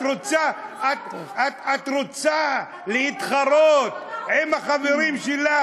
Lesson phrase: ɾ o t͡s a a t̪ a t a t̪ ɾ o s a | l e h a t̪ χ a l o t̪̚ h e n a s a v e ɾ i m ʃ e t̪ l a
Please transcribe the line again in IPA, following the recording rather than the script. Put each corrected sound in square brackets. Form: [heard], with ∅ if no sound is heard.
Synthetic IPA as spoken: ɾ o t͡s a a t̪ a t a t̪ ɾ o [t͡s] a | l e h [i] t̪ χ a [ɾ] o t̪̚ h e [m] a [χ] a v e ɾ i m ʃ e [∅] l a